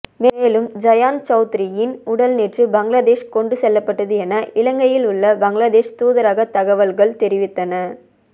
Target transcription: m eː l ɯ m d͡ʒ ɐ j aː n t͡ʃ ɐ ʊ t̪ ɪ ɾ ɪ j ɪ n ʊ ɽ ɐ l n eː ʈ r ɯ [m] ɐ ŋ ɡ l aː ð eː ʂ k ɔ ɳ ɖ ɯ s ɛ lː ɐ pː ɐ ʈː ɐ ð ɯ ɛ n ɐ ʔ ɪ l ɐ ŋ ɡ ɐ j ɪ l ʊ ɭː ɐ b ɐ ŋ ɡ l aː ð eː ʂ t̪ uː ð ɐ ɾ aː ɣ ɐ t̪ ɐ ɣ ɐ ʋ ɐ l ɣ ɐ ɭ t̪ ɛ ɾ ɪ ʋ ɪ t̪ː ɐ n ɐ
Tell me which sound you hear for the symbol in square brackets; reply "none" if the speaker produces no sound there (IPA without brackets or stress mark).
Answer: b